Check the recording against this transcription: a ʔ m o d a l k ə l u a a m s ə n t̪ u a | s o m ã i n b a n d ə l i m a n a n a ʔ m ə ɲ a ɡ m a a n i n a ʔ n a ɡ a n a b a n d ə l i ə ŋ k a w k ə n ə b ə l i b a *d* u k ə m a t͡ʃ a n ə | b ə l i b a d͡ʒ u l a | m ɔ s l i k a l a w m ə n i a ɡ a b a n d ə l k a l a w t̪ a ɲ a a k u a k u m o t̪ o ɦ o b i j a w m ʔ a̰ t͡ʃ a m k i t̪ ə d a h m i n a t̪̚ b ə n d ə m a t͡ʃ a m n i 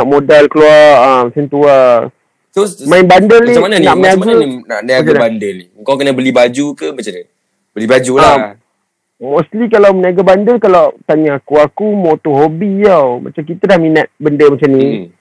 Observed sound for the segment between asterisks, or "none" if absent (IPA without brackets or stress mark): d͡ʒ